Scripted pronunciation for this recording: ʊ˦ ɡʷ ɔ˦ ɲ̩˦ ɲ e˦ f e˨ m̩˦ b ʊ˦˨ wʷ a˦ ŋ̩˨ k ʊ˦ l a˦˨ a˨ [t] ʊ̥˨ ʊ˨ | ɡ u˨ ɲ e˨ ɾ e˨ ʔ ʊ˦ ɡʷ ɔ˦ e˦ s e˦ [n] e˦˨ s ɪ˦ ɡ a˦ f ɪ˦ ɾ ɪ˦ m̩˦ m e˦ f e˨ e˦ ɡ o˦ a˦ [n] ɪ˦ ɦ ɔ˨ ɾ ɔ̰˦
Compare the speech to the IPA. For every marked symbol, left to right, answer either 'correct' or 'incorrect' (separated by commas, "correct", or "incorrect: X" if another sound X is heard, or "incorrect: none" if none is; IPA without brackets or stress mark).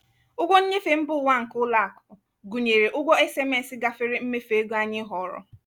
incorrect: k, incorrect: m, incorrect: ɲ